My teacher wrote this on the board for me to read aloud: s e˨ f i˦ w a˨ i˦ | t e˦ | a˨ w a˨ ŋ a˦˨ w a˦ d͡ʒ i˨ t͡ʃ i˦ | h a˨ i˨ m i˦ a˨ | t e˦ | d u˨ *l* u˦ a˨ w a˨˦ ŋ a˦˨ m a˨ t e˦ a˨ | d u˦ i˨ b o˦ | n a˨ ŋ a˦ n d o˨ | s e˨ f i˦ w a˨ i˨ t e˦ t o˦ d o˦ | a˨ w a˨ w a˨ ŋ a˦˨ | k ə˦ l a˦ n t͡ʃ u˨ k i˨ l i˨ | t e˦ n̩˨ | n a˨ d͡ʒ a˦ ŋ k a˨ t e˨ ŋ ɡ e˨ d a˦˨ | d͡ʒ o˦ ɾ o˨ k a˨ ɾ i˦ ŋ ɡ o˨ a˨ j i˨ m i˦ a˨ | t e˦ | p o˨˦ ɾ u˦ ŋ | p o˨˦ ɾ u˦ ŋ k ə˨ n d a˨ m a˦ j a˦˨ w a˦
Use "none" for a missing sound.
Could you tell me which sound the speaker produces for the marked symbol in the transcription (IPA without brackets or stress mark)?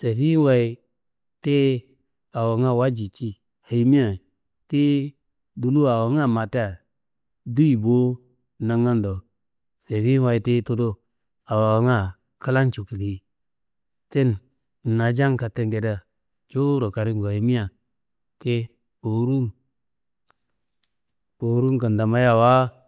l